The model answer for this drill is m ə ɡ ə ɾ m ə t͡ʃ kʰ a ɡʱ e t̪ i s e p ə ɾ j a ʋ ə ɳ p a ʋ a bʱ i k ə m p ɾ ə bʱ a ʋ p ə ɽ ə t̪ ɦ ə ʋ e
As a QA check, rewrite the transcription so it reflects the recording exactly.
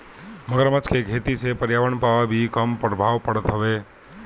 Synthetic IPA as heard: m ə ɡ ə ɾ m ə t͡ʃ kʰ e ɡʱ e t̪ i s e p ə ɾ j a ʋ ə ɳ p a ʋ a bʱ i k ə m p ɾ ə bʱ a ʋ p ə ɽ ə t̪ ɦ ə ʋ e